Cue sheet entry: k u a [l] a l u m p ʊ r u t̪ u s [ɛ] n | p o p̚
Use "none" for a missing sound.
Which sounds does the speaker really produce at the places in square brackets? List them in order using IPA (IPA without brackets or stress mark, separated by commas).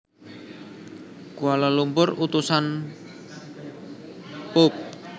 l, a